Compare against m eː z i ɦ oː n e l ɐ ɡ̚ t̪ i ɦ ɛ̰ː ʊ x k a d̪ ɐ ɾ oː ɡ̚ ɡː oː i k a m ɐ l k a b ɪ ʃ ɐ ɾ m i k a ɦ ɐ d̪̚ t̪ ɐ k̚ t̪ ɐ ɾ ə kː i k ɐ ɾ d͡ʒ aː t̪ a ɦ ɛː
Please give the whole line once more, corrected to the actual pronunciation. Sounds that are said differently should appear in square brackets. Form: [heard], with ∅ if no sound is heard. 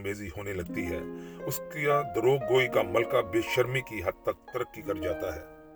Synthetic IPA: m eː z i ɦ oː n e l ɐ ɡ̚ t̪ i ɦ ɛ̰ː ʊ [s] k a d̪ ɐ ɾ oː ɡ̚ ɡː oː i k a m ɐ l k a b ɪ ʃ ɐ ɾ m i k [i] ɦ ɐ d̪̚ t̪ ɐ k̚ t̪ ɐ ɾ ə kː i k ɐ ɾ d͡ʒ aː t̪ a ɦ ɛː